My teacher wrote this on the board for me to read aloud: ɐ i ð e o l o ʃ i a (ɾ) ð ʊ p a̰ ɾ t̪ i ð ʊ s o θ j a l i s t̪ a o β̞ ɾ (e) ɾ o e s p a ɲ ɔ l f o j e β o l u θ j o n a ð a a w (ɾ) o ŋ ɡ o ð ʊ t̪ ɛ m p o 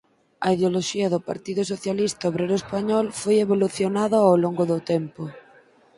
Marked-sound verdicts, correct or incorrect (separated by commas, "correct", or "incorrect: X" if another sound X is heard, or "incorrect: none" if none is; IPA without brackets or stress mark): incorrect: none, correct, incorrect: l